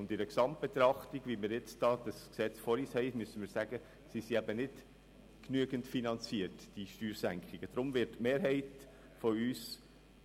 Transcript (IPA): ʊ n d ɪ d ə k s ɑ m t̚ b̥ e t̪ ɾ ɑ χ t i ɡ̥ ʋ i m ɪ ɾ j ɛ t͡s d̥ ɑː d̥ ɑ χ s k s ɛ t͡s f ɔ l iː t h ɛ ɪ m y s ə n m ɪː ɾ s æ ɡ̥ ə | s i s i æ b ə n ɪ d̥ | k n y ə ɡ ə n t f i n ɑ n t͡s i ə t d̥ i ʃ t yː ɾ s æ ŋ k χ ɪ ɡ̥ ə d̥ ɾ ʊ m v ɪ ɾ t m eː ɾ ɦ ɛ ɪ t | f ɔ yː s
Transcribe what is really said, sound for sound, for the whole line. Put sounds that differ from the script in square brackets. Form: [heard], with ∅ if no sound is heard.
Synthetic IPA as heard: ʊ n d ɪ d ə k s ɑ m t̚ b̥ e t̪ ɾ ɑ χ t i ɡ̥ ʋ i m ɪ ɾ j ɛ t͡s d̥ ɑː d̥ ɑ [∅] s k s ɛ t͡s f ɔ [ɾ] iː [s] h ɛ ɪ m y s ə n m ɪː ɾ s æ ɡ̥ ə | s i s i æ b ə n ɪ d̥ | k n y ə ɡ ə n t f i n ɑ n t͡s i ə t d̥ i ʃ t yː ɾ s æ ŋ k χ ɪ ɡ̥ ə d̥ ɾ ʊ m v ɪ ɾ t m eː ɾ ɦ ɛ ɪ t | f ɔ yː s